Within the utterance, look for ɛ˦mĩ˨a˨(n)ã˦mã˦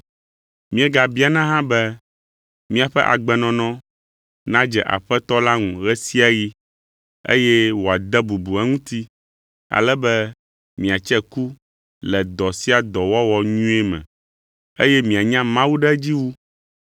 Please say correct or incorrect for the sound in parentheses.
incorrect